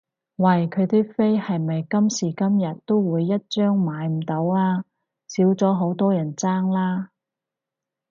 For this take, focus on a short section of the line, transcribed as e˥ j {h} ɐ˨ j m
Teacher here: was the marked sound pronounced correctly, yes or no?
yes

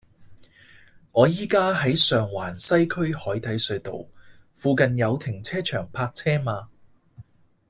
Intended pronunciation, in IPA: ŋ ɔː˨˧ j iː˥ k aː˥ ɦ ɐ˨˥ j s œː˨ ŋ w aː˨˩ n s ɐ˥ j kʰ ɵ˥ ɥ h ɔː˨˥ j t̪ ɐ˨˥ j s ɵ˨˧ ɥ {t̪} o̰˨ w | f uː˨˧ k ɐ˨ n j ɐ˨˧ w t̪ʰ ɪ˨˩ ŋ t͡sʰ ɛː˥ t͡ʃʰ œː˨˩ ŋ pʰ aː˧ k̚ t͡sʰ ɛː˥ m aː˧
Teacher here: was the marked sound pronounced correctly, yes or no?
yes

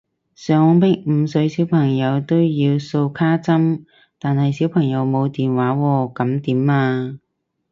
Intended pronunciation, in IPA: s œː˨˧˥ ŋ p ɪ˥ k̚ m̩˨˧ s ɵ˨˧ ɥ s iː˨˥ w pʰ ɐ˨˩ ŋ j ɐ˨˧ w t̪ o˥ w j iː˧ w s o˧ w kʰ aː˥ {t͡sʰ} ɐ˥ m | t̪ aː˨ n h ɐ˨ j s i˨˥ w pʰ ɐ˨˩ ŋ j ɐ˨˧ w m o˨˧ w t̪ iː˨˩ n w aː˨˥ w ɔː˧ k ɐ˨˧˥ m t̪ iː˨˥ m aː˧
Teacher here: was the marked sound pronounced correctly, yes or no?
no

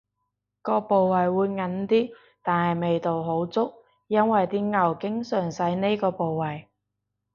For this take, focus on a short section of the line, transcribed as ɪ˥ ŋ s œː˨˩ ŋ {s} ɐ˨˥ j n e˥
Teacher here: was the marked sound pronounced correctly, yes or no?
yes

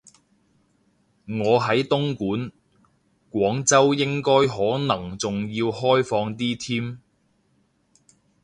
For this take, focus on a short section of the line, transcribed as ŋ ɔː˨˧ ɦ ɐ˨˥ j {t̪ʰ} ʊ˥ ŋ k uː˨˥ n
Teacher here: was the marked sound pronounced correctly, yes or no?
no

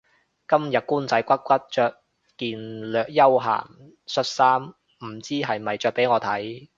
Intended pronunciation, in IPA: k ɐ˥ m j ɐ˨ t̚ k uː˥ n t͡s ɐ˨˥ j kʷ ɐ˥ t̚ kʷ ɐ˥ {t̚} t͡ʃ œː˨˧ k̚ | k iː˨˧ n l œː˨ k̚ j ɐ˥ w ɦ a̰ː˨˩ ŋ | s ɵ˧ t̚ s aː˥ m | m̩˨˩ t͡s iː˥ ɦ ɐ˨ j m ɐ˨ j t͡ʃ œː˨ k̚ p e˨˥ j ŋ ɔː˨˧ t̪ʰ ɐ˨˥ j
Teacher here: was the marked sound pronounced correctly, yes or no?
yes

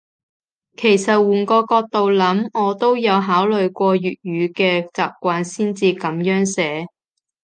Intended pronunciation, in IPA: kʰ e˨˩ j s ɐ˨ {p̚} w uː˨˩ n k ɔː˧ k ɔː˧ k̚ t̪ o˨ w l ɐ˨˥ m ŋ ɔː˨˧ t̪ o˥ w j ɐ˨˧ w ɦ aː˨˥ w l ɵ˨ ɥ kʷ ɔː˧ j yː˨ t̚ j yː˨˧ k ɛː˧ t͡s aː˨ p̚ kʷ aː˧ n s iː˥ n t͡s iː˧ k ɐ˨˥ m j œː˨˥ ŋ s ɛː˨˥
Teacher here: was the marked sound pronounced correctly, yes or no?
no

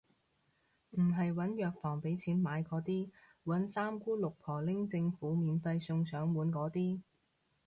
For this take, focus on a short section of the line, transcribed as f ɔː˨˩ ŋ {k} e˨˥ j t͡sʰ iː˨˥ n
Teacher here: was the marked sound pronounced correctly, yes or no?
no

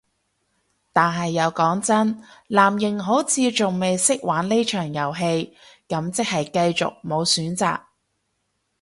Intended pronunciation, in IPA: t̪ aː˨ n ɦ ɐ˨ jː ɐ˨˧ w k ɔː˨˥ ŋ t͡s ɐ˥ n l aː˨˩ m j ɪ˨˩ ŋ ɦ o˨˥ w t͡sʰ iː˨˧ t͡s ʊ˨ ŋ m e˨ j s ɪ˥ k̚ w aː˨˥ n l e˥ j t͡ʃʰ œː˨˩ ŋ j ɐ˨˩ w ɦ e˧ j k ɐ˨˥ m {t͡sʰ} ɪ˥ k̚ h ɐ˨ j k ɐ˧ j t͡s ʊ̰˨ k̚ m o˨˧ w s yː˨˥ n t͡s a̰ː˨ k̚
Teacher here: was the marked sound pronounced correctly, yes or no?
no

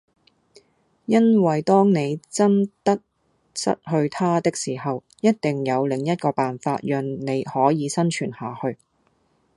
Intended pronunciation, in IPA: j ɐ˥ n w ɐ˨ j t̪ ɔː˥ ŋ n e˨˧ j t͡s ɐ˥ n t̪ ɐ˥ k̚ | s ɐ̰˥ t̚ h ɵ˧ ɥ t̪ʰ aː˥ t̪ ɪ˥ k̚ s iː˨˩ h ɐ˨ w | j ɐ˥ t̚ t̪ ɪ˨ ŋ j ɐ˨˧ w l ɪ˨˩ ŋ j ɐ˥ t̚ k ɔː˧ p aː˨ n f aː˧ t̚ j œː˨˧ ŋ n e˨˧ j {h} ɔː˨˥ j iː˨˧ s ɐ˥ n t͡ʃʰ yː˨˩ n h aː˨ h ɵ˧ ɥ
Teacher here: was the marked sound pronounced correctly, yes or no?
yes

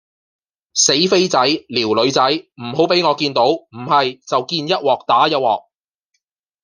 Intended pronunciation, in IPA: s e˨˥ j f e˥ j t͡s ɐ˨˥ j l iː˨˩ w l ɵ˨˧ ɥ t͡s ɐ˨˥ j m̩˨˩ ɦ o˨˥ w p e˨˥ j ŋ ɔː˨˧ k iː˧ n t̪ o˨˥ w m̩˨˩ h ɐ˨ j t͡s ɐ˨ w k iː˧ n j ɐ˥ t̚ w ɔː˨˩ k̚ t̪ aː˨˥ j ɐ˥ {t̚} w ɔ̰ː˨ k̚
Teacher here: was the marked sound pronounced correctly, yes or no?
yes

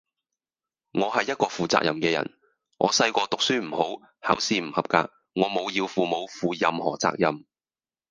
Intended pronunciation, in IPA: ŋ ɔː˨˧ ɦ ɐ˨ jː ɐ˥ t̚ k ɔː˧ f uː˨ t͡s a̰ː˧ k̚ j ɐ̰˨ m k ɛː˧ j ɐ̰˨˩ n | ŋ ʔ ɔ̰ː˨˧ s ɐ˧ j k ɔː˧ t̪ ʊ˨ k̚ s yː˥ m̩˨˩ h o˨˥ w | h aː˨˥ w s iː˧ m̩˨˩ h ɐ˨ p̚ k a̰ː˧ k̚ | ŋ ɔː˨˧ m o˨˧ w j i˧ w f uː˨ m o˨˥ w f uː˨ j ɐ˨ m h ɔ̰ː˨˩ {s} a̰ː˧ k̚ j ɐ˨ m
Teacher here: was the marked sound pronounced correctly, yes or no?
no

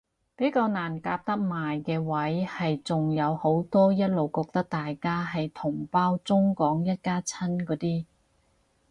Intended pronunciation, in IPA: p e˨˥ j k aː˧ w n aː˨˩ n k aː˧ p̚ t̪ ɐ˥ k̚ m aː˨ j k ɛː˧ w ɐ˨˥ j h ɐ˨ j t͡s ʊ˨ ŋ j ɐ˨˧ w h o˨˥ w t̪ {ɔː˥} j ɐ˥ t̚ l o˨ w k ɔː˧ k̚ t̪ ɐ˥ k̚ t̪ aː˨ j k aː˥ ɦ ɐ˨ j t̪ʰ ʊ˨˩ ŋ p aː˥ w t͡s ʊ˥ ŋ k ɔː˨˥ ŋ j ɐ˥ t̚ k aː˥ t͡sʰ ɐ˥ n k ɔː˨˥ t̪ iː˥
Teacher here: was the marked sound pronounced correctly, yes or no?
yes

